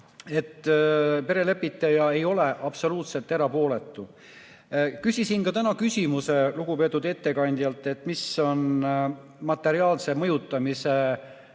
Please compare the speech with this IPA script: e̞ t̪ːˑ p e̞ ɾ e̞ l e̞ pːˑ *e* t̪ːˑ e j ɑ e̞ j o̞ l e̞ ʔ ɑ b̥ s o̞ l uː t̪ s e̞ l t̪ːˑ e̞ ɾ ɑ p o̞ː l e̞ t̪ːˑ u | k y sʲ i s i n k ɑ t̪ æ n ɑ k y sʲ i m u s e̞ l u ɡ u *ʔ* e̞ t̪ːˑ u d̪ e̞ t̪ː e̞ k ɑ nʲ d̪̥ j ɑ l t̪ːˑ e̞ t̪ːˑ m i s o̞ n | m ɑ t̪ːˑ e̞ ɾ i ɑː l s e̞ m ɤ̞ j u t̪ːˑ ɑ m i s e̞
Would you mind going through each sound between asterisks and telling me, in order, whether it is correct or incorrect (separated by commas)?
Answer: incorrect, incorrect